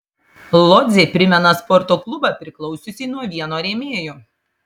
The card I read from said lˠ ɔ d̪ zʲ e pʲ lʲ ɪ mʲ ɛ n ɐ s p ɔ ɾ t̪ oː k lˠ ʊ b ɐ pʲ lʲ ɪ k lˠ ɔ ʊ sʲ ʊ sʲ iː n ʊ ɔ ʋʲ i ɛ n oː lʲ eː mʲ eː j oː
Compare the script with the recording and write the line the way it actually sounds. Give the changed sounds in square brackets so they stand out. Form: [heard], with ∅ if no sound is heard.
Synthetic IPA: lˠ ɔ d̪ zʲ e pʲ [ɾʲ] ɪ mʲ ɛ n ɐ s p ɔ ɾ t̪ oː k lˠ ʊ b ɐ pʲ [ɾʲ] ɪ k lˠ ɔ ʊ sʲ ʊ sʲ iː n [u] ɔ ʋʲ i ɛ n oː [ɾʲ] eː mʲ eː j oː